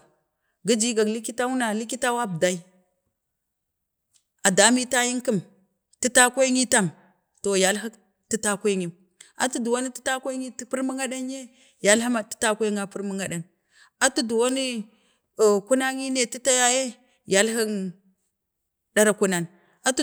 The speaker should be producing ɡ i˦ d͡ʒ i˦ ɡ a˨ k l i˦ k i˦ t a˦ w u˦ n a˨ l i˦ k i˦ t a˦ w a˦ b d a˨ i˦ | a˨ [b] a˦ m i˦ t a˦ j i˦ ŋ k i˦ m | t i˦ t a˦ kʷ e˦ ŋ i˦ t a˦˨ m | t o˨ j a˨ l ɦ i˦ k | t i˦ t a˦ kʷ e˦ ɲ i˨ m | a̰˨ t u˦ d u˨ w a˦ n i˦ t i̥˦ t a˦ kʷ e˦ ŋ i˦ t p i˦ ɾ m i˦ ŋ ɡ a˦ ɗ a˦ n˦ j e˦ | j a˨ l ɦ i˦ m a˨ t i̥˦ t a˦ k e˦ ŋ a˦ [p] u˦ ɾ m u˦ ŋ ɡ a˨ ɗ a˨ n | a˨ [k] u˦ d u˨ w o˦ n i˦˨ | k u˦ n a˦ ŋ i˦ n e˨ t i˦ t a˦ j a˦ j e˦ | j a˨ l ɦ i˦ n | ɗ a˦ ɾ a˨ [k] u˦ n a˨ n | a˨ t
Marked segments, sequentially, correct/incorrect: incorrect: d, correct, incorrect: t, correct

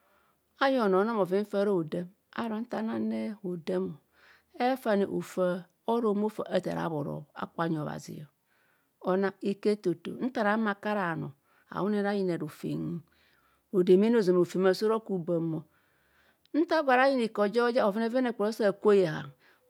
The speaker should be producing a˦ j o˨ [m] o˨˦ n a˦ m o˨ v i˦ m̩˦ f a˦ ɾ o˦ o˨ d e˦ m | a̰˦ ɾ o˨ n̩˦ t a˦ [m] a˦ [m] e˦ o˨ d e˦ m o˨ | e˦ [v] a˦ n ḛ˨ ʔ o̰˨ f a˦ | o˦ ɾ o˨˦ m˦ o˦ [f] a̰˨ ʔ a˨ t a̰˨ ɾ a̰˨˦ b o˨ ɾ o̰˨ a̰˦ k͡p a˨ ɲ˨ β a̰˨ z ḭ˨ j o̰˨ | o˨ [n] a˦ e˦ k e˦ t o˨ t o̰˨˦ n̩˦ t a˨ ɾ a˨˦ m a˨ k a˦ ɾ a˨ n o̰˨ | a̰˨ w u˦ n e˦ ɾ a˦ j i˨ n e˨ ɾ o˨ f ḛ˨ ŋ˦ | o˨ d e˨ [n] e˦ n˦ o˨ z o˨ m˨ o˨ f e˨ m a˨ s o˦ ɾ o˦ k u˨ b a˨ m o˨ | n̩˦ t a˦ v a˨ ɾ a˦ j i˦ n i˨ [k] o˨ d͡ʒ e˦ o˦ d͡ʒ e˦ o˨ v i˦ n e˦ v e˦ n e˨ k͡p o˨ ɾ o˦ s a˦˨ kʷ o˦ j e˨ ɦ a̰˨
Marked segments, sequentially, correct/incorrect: incorrect: n, incorrect: n, incorrect: n, incorrect: f, correct, correct, incorrect: m, correct

